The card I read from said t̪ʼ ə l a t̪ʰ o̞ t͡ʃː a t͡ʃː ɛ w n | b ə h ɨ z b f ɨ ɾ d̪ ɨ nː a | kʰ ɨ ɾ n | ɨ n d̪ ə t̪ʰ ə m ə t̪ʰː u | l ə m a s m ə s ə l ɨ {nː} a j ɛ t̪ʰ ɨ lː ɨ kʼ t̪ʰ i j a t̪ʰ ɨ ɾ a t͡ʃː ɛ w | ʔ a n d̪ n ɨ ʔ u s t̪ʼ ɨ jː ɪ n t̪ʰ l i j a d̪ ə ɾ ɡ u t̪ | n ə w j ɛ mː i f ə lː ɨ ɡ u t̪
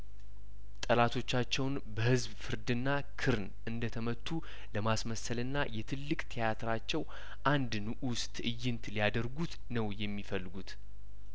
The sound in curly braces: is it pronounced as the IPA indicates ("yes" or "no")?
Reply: yes